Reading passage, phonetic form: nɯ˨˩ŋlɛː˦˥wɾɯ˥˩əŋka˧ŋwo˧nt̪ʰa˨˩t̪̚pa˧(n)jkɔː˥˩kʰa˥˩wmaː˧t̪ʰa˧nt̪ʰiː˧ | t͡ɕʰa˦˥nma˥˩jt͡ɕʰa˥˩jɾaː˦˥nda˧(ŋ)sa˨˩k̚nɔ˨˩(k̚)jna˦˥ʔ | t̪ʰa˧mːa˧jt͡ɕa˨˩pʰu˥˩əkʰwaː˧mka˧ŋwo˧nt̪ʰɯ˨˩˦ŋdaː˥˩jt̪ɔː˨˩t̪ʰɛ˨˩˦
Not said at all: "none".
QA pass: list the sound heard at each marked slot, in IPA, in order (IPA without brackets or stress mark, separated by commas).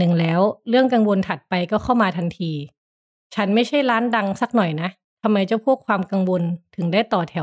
none, ŋ, none